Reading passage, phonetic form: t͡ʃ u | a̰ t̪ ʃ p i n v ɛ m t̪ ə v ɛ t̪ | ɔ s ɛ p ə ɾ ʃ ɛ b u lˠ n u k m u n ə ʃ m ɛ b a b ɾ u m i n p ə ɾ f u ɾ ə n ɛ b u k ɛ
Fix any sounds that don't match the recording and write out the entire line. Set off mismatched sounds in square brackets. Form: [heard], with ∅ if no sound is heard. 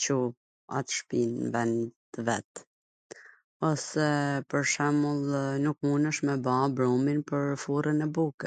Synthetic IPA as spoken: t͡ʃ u | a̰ t̪ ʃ p i n v ɛ [n] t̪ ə v ɛ t̪ | ɔ s ɛ p ə ɾ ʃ ɛ [m] u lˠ n u k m u n ə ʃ m ɛ b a b ɾ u m i n p ə ɾ f u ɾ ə n ɛ b u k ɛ